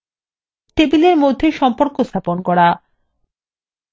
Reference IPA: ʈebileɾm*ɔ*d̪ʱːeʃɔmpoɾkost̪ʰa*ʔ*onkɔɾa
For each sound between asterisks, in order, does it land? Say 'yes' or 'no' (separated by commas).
no, no